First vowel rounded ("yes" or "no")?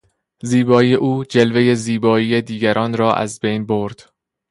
no